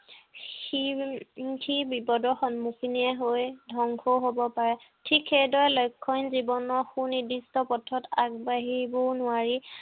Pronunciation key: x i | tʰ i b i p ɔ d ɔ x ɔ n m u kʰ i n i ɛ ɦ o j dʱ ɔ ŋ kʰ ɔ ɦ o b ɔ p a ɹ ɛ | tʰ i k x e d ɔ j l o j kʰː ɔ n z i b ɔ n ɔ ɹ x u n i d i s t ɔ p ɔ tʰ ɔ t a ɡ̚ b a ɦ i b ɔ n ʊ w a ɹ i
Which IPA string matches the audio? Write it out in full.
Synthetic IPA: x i | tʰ i b i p ɔ d ɔ x ɔ n m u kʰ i n i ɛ ɦ o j dʱ ɔ ŋ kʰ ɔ ɦ o b ɔ p a ɹ ɛ | tʰ i k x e d ɔ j l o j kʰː ɔ n z i b ɔ n ɔ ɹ x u n i d i s t ɔ p ɔ tʰ ɔ t a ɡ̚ b a ɦ i b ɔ n ʊ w a ɹ i